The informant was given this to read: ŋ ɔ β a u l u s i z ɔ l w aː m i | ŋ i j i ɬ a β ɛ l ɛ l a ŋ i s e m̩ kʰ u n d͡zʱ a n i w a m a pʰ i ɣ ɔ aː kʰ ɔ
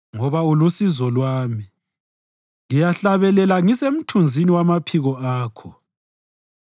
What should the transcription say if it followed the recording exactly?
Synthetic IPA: ŋ ɔ β a u l u s i z ɔ l w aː m i | ŋ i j a ɬ a β ɛ l ɛ l a ŋ i s e m̩ tʰ u n d͡zʱ i n i w a m a pʰ i ɣ ɔ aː kʰ ɔ